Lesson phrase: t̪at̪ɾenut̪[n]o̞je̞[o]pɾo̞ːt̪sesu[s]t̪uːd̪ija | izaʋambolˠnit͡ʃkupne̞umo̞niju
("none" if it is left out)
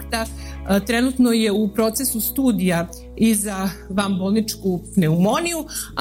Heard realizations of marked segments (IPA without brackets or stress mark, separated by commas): n, u, s